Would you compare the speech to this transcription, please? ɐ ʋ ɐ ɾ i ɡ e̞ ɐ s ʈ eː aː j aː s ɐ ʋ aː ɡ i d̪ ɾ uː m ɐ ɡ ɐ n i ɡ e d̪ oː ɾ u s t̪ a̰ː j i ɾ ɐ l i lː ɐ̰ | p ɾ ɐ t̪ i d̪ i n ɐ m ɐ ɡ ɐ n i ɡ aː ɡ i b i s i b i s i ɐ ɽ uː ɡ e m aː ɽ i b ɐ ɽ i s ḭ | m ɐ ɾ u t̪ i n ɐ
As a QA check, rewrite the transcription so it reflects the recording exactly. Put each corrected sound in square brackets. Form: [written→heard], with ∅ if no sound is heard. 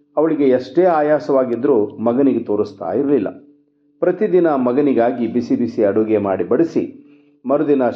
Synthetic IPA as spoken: ɐ ʋ ɐ [ɾ→ɭ] i ɡ e̞ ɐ [s→ʂ] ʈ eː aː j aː s ɐ ʋ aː ɡ i d̪ ɾ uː m ɐ ɡ ɐ n i ɡ e [d̪→t̪] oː ɾ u s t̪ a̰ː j i ɾ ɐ l i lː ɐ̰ | p ɾ ɐ t̪ i d̪ i n ɐ m ɐ ɡ ɐ n i ɡ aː ɡ i b i s i b i s i ɐ ɽ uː ɡ e m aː ɽ i b ɐ ɽ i s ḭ | m ɐ ɾ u [t̪→d̪] i n ɐ